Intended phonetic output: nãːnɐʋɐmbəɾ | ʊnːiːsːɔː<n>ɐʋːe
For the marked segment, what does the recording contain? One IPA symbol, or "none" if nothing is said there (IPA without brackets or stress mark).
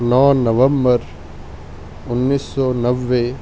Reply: n